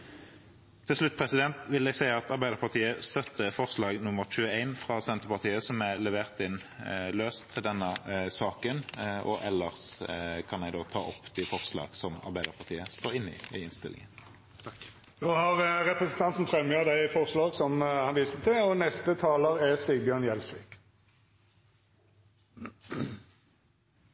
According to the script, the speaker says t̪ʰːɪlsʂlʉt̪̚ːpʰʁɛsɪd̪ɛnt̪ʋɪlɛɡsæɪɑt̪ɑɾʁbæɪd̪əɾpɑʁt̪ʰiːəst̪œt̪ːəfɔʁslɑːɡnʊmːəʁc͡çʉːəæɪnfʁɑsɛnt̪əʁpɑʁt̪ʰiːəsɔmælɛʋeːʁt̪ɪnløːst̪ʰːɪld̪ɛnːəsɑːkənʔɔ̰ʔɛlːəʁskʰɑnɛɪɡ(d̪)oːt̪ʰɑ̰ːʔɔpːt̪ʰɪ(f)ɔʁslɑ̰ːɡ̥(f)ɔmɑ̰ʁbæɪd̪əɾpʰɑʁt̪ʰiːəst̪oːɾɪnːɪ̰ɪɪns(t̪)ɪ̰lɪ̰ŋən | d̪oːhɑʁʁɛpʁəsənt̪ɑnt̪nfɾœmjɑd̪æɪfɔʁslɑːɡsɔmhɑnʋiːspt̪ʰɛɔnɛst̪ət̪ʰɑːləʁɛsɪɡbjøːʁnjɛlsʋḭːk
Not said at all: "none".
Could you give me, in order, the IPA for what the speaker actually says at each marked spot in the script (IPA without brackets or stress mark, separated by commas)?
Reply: d̪, f, s, t̪